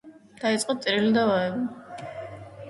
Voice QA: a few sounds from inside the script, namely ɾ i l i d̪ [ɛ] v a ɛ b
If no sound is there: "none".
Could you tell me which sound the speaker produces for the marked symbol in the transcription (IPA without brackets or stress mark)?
a